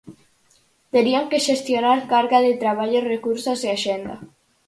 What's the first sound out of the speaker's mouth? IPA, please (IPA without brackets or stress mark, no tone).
t̪